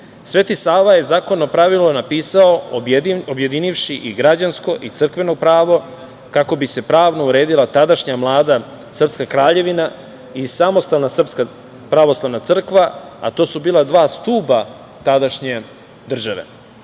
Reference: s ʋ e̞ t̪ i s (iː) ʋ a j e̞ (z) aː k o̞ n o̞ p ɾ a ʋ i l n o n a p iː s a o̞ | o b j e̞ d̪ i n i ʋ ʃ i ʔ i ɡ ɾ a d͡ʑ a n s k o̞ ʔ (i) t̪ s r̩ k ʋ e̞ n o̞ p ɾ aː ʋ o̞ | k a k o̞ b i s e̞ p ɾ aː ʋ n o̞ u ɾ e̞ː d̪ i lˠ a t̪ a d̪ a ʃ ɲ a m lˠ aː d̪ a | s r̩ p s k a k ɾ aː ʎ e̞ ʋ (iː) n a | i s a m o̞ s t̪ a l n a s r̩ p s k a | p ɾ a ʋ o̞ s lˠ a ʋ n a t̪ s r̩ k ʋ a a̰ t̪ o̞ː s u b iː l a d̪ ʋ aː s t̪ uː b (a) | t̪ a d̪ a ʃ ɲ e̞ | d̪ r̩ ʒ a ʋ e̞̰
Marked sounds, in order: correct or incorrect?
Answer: incorrect: aː, correct, correct, incorrect: i, correct

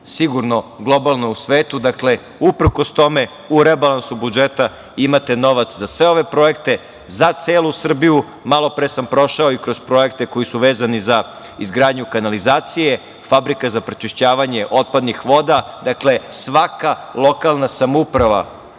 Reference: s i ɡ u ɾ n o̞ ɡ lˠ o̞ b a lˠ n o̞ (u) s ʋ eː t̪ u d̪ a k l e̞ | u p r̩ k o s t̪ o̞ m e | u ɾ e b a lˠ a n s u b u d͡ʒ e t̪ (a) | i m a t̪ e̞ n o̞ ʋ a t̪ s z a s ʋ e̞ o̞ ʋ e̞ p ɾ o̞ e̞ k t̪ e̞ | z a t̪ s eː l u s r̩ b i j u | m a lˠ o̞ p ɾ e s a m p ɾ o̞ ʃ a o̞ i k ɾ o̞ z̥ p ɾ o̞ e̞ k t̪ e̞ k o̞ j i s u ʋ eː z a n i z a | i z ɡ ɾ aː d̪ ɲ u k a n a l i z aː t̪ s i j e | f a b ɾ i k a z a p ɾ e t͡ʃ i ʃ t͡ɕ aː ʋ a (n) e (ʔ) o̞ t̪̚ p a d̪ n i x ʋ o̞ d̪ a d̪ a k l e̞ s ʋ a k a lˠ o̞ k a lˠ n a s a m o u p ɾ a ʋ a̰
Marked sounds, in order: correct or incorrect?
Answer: correct, correct, incorrect: ɲ, correct

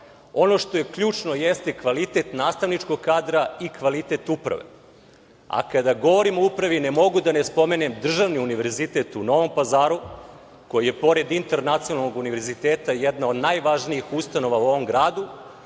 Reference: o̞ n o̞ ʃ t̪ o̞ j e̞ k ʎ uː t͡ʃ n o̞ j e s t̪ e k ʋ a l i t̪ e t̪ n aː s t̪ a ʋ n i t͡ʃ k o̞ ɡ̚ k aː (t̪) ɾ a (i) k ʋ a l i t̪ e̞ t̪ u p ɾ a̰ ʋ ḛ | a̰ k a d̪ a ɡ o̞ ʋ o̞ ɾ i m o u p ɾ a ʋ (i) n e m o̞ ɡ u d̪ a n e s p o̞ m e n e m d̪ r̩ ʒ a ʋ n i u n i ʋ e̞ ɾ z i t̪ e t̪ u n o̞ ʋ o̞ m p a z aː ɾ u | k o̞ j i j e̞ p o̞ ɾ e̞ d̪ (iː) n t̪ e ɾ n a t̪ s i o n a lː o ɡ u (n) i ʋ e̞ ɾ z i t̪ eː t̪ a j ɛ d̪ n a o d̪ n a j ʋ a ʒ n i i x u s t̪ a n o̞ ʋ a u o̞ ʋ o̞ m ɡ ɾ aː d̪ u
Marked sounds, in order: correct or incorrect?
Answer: incorrect: d̪, correct, correct, incorrect: i, correct

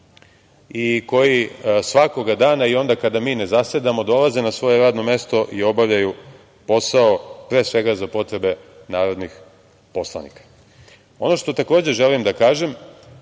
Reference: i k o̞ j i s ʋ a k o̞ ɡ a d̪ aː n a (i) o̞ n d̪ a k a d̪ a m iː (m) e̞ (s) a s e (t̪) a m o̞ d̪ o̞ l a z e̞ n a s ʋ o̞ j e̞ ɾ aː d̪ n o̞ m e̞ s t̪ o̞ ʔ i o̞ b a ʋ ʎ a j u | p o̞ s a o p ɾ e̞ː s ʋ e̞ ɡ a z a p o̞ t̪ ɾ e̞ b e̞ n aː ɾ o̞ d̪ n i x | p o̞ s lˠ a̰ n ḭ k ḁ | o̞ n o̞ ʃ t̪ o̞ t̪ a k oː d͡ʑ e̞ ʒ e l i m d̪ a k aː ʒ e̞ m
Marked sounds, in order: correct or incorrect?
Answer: correct, incorrect: n, incorrect: z, incorrect: d̪

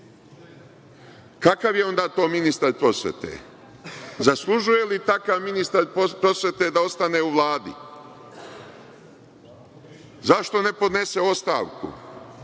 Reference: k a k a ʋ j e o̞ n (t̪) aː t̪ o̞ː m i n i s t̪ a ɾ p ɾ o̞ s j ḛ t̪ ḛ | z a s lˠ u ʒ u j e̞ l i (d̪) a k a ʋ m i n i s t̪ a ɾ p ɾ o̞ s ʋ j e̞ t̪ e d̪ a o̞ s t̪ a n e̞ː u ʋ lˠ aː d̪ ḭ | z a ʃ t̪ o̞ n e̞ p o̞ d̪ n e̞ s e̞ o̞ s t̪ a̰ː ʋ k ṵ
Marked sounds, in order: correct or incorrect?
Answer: incorrect: d̪, incorrect: t̪

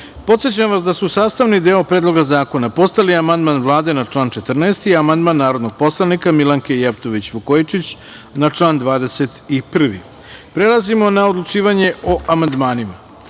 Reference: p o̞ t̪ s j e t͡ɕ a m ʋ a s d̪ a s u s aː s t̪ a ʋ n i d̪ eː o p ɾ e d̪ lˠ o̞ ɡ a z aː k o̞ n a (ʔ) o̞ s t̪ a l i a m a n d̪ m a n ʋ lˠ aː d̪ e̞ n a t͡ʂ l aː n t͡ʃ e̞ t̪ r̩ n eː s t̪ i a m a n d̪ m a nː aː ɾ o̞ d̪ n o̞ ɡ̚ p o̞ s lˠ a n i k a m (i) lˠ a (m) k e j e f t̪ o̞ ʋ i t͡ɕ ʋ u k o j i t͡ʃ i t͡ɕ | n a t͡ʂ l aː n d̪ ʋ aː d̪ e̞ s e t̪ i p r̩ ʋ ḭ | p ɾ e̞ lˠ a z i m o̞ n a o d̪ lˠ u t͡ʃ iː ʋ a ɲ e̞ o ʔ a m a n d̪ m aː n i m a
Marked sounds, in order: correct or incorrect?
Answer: incorrect: p, correct, incorrect: ŋ

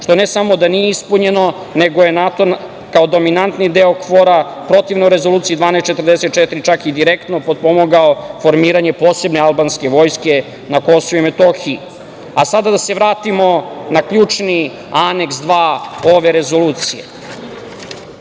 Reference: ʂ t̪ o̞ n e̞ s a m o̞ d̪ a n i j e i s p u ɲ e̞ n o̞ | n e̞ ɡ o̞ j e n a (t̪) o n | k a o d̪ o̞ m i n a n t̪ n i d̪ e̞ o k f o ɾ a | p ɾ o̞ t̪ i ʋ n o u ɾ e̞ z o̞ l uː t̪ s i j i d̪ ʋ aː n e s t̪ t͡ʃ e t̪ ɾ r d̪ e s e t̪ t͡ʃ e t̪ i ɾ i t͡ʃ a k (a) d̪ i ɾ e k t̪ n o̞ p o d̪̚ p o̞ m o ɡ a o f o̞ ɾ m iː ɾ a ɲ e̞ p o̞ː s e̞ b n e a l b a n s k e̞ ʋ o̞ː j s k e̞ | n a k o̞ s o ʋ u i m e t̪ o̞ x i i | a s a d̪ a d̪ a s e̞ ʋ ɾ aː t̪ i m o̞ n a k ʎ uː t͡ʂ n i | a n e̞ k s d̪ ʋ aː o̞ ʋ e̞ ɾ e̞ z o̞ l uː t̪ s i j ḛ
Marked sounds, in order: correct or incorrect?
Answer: correct, incorrect: i

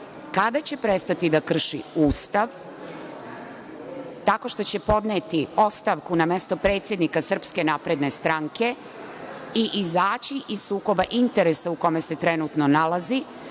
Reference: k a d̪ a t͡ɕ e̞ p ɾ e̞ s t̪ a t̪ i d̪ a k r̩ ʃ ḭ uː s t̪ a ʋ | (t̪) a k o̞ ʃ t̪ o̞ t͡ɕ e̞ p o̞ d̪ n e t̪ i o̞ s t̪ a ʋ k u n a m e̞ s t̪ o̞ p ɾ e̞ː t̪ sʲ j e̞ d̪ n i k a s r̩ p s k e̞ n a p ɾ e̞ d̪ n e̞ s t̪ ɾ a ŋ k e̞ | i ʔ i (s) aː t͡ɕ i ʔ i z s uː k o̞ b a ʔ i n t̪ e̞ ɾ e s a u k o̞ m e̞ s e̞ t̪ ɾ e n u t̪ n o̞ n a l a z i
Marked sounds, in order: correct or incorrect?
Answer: correct, incorrect: z

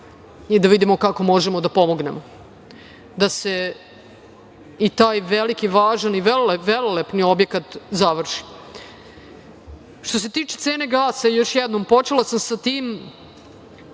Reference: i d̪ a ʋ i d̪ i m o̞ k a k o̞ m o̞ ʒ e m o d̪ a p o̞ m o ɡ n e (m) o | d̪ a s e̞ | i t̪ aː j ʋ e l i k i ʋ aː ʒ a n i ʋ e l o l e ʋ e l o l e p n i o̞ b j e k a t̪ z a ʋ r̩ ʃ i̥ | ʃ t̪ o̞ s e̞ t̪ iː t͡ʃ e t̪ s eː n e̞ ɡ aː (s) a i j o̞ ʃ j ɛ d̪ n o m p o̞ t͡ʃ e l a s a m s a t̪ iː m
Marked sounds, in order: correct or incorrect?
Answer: correct, correct

